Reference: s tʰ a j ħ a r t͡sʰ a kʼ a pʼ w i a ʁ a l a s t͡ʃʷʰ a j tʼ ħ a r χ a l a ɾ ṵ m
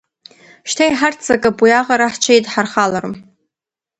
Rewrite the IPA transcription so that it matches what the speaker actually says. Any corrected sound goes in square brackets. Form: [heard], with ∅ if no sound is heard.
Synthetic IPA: [ʃ] tʰ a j ħ a r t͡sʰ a kʼ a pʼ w i a ʁ a [ɾ] a [ħ] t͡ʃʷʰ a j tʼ ħ a r χ a l a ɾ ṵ m